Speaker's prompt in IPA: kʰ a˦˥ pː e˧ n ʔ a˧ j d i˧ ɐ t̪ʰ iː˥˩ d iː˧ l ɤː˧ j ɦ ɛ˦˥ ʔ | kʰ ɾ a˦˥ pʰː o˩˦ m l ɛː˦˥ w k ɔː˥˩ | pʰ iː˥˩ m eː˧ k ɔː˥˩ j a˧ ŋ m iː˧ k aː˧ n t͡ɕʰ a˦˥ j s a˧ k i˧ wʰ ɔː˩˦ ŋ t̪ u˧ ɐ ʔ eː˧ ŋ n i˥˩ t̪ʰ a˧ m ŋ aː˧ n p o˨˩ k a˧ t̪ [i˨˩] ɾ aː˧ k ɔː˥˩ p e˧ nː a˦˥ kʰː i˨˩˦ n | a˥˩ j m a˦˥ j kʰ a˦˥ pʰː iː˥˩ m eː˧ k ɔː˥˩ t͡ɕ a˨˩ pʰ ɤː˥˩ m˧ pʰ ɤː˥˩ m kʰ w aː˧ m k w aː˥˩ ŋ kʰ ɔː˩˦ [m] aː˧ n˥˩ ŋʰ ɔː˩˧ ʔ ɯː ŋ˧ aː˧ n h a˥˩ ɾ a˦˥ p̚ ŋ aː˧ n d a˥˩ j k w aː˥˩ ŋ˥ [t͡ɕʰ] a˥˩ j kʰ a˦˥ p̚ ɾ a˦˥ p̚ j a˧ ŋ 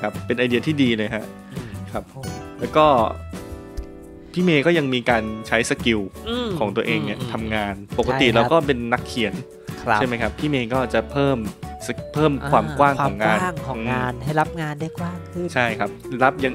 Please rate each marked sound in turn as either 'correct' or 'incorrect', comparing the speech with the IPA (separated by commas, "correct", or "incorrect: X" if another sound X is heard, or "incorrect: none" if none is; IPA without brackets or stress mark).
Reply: correct, incorrect: ŋ, correct